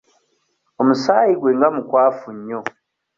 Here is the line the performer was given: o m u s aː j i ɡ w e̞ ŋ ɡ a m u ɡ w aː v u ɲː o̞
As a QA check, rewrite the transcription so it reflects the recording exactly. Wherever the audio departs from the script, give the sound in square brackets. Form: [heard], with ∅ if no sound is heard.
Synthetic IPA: o m u s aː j i ɡ w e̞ ŋ ɡ a m u [k] w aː [f] u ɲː o̞